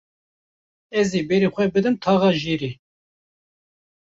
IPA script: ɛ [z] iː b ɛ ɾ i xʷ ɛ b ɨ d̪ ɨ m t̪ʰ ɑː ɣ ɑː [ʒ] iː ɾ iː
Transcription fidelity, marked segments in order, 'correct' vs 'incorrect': correct, correct

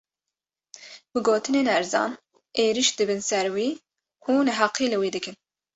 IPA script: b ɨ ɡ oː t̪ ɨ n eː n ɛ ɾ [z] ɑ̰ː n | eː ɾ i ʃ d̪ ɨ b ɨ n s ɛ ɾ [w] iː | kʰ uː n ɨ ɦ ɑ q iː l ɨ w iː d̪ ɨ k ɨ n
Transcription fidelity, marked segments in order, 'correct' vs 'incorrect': correct, correct

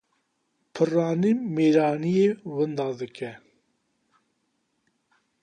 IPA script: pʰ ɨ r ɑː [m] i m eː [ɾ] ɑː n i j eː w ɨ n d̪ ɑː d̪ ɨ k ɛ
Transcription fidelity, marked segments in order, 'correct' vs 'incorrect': incorrect: n, correct

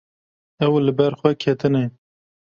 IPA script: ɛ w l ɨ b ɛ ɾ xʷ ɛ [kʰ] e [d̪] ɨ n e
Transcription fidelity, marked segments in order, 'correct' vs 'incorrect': correct, incorrect: t̪

